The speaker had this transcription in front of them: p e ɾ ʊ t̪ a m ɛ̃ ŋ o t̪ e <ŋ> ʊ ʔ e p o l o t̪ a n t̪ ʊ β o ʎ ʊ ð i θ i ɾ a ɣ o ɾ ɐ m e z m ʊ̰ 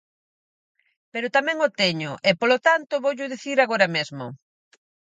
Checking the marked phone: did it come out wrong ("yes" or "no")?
yes